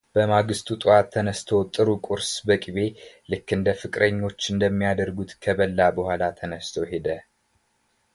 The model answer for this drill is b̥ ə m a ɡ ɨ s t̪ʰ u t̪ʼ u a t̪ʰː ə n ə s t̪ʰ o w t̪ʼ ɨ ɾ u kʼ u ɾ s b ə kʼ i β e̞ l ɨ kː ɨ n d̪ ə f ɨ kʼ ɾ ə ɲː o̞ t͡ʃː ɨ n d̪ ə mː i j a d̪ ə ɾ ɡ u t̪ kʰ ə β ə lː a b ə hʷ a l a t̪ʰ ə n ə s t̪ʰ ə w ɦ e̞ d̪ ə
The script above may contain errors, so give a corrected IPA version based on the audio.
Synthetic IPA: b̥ ə m a ɡ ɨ s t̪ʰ u t̪ʼ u a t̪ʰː ə n ə s t̪ʰ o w t̪ʼ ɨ ɾ u kʼ u ɾ s b ə kʼ i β e̞ l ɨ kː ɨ n d̪ ə f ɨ kʼ ɾ ə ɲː o̞ t͡ʃː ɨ n d̪ ə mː i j a d̪ ə ɾ ɡ u t̪ kʰ ə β ə lː a b ə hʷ a l a t̪ʰ ə n ə s t̪ʰ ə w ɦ e̞ d̪ ə